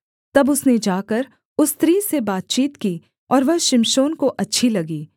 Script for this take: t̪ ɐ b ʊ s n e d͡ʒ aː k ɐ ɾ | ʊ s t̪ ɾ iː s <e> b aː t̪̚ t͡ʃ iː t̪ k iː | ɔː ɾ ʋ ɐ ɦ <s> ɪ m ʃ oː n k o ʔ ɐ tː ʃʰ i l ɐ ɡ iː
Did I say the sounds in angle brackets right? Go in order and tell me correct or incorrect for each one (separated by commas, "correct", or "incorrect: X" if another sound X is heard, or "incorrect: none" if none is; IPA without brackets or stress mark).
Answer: correct, incorrect: ʃ